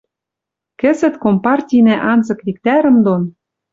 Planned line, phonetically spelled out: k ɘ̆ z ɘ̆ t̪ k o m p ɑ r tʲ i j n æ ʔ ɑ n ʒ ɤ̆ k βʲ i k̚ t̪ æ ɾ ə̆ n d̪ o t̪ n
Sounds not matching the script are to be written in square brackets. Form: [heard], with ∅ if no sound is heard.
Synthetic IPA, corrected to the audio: k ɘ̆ z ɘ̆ t̪ k o m p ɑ r tʲ i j n æ ʔ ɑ n [z] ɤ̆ k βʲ i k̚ t̪ æ ɾ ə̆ [m] d̪ o [∅] n